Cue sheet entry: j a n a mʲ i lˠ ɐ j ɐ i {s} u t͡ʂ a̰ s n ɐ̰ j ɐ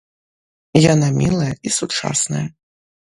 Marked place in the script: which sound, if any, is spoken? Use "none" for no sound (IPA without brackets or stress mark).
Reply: s